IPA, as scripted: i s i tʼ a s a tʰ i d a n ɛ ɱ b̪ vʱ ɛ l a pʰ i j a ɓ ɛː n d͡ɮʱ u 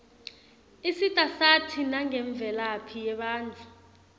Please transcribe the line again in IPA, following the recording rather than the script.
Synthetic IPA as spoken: i s i tʼ a s a tʰ i n a ŋ ɛ ɱ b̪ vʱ ɛ l a pʰ i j ɛ ɓ aː n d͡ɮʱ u